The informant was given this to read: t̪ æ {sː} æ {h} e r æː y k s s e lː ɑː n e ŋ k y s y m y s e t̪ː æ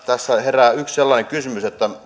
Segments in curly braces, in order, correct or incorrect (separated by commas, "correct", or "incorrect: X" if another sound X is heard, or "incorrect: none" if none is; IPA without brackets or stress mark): correct, correct